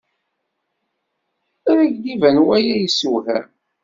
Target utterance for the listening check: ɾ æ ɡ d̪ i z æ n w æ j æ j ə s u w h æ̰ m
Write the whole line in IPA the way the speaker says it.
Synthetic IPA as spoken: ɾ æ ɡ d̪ i v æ n w æ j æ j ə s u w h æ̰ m